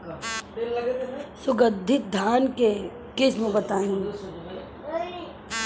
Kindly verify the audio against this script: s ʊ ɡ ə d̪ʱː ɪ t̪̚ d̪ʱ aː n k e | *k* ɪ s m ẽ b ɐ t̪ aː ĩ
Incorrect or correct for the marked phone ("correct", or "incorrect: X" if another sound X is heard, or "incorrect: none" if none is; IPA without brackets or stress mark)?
correct